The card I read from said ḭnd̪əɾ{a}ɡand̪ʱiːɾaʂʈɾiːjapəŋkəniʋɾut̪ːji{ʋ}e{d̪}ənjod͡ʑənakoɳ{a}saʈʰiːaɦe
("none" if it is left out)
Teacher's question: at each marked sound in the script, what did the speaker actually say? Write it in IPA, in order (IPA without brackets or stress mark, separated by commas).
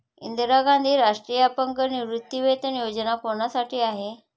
a, ʋ, t̪, a